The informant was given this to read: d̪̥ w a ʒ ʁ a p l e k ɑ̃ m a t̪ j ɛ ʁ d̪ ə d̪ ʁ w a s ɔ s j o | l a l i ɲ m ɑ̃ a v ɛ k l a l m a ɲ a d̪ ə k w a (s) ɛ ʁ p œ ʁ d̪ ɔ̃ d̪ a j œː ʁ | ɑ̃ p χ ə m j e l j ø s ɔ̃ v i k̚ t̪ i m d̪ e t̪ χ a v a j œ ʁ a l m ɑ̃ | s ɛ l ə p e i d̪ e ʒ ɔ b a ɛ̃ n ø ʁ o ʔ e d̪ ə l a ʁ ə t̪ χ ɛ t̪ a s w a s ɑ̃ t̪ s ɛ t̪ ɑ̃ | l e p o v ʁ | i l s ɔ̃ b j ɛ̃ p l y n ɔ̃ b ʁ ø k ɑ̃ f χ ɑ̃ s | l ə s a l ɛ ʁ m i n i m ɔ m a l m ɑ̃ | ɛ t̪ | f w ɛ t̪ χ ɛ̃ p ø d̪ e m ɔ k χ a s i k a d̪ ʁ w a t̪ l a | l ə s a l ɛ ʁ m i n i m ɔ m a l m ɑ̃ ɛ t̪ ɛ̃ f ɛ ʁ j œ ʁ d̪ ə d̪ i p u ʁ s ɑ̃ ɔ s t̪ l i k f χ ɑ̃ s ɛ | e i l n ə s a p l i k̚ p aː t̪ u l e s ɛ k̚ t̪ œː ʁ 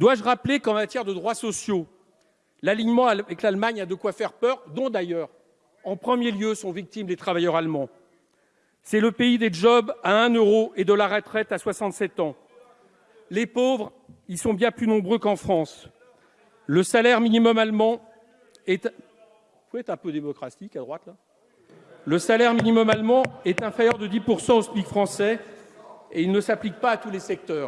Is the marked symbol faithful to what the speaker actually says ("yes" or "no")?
no